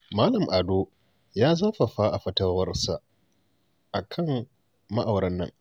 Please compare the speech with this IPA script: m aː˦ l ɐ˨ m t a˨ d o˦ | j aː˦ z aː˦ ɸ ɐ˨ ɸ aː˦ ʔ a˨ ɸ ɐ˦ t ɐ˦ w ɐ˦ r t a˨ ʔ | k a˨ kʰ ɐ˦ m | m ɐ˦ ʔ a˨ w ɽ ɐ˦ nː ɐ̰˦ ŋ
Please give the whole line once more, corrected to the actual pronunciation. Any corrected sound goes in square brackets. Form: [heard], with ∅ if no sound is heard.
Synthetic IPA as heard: m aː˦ l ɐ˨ m [ʔ] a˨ d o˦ | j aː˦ z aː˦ ɸ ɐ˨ ɸ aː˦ ʔ a˨ ɸ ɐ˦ t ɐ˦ w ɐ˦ r [s] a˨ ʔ | [ʔ] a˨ kʰ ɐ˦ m | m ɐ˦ ʔ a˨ w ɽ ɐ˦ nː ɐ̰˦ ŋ